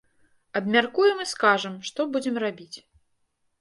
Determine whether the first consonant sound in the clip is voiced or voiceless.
voiced